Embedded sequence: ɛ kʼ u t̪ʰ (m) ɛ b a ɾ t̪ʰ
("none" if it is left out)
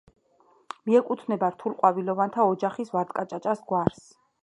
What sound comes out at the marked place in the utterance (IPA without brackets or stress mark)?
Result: n